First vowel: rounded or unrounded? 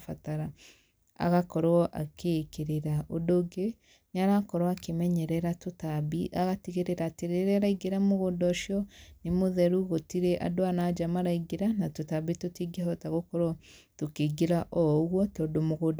unrounded